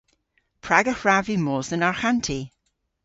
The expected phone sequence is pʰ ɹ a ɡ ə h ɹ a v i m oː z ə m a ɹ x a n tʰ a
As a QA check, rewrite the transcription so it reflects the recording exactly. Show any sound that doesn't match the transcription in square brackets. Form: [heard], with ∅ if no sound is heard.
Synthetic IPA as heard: pʰ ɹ a ɡ ə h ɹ a v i m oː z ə [n] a ɹ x a n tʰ [i]